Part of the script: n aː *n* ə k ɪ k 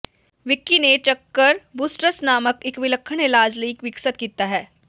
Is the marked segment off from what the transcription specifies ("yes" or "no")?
yes